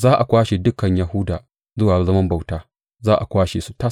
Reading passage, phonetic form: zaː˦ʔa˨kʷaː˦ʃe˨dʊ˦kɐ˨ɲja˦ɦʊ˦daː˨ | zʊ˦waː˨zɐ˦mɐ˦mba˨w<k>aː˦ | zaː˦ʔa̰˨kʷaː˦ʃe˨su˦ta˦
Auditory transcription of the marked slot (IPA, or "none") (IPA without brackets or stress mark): t